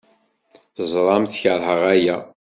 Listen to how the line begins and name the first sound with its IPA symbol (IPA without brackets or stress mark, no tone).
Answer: θ